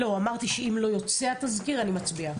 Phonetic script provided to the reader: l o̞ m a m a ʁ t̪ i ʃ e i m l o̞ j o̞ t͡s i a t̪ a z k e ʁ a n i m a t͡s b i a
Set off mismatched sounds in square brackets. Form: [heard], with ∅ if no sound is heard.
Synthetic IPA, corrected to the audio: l o̞ [∅] a m a ʁ t̪ i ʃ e i m l o̞ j o̞ t͡s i a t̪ a z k [i] ʁ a n i m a t͡s b i a